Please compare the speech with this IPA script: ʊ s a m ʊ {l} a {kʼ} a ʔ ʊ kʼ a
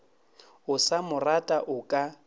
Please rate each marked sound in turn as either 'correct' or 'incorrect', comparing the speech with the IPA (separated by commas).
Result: incorrect, incorrect